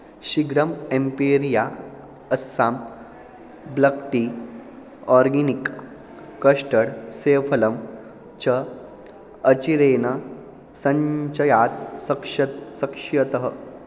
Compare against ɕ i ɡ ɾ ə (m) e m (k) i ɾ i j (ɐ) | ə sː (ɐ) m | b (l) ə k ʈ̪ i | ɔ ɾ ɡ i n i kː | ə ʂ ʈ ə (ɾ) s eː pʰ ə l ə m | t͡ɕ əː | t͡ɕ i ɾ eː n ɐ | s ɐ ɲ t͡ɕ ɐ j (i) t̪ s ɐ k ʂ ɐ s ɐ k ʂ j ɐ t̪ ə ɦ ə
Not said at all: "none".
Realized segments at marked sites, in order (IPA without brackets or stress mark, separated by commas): m, p, a, a, l, ɽ, a